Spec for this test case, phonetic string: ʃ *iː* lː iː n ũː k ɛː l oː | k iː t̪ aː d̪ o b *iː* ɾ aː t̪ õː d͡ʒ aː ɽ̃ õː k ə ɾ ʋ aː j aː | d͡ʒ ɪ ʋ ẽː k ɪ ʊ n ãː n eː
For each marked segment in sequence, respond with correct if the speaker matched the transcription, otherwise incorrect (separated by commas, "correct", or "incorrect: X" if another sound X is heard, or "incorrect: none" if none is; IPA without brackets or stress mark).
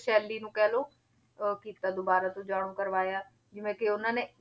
incorrect: ɛː, incorrect: aː